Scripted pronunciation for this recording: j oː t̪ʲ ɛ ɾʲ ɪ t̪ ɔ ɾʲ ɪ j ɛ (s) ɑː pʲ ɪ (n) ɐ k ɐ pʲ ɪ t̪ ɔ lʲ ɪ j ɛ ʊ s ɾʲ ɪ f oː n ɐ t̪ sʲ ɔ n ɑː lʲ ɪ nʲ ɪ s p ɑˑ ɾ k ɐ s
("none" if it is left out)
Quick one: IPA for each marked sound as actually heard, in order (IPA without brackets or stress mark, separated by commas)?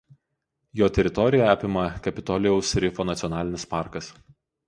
none, m